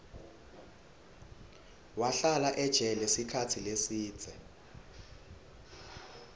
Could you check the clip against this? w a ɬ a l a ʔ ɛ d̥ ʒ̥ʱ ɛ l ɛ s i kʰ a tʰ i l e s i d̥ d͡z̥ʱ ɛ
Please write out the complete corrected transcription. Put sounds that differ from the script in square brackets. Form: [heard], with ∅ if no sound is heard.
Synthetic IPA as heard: w a ɬ a l a ʔ ɛ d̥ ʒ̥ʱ ɛ l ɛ s i kʰ a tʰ i l e s [iː] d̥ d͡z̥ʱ ɛ